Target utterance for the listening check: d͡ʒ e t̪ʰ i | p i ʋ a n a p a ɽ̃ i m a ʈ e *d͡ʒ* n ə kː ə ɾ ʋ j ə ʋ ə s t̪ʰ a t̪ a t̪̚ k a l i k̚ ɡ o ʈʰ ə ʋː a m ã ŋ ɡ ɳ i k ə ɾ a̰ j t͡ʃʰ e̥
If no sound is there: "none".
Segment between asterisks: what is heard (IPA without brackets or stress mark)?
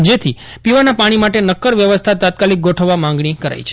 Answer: none